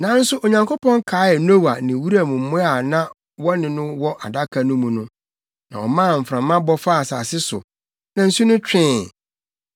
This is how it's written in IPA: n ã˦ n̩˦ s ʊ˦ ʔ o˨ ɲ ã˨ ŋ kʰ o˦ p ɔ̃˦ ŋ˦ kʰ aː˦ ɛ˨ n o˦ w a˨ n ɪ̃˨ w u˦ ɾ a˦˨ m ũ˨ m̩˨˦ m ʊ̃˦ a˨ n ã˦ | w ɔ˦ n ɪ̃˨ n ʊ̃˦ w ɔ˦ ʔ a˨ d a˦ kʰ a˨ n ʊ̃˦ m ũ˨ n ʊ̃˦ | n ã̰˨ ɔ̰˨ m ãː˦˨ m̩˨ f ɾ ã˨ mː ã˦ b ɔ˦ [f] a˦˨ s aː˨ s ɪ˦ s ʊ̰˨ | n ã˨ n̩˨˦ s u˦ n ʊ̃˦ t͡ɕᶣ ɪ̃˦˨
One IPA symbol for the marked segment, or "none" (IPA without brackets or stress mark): f